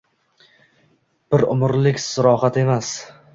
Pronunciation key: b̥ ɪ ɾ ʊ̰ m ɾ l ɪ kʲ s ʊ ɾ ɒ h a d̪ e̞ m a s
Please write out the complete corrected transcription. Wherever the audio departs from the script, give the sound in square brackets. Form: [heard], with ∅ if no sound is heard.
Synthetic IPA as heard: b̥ ɪ ɾ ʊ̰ m ɾ l ɪ kʲ s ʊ ɾ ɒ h a [t̪] e̞ m a s